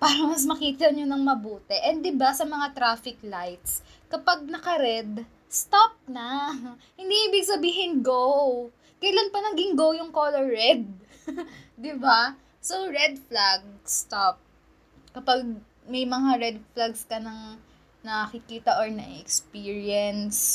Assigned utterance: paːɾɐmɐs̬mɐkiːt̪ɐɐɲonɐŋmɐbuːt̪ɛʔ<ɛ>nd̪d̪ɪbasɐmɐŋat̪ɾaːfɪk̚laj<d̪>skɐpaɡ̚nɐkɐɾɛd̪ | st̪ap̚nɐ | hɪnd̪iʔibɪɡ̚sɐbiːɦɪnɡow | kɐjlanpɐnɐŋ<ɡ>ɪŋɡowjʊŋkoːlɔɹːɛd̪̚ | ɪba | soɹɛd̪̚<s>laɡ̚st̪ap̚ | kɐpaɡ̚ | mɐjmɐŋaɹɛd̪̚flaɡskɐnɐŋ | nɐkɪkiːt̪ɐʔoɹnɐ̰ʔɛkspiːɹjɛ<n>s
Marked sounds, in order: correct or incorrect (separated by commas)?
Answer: correct, incorrect, correct, incorrect, correct